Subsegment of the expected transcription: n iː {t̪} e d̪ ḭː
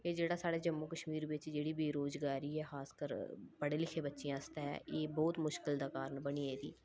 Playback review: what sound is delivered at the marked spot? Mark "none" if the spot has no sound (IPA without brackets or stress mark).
none